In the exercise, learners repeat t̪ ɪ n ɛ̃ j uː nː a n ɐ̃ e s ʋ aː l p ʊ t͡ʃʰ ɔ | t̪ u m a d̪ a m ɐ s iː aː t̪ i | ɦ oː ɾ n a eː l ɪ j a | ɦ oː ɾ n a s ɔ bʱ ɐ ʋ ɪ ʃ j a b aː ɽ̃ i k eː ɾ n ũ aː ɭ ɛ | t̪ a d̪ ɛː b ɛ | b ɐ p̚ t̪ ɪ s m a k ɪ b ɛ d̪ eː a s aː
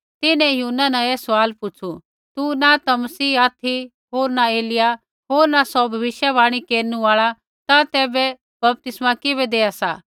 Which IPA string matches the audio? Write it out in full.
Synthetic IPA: t̪ ɪ n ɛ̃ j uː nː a n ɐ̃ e s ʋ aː l p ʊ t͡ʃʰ u | t̪ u n a t̪ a m ɐ s iː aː t̪ʰ i | ɦ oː ɾ n a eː l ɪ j a | ɦ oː ɾ n a s ɔ bʱ ɐ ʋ ɪ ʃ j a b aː ɽ̃ i k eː ɾ n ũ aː ɭ a | t̪ a t̪ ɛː b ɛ | b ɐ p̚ t̪ ɪ s m a k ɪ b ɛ d̪ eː a s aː